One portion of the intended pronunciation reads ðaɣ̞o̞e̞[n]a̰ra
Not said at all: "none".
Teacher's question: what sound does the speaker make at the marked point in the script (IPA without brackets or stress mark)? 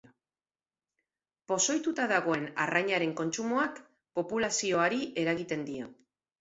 n